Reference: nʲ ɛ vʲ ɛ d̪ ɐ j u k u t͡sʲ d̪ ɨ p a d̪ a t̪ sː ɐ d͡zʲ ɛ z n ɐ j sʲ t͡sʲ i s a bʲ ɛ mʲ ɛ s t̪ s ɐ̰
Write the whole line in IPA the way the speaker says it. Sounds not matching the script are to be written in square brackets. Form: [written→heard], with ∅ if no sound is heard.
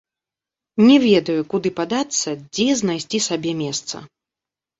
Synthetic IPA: nʲ ɛ vʲ ɛ d̪ ɐ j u k u [t͡sʲ→∅] d̪ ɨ p a d̪ a t̪ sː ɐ d͡zʲ ɛ z n [ɐ→a] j sʲ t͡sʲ i s a bʲ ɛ mʲ ɛ s t̪ s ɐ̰